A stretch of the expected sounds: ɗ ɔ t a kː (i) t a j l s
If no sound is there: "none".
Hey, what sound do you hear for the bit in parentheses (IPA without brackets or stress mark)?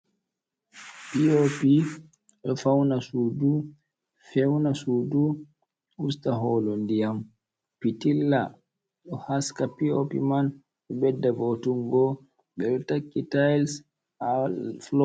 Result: i